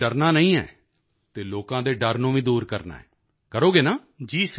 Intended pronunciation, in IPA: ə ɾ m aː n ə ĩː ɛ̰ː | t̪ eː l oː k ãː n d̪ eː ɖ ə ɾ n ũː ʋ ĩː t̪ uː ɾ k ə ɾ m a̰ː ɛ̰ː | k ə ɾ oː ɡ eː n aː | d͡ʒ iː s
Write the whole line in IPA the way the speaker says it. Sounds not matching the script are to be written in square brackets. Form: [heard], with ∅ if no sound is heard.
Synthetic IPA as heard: ə ɾ [n] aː n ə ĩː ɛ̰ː | t̪ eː l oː k ãː [∅] d̪ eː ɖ ə ɾ n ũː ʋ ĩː [d̪] uː ɾ k ə ɾ [n] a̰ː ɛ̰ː | k ə ɾ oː ɡ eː n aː | d͡ʒ iː s